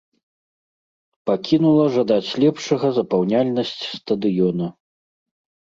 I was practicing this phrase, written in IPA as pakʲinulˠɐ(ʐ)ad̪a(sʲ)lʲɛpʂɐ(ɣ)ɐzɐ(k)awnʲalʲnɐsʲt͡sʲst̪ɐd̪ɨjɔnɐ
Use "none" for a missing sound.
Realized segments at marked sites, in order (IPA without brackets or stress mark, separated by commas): ʐ, t͡sʲ, ɣ, p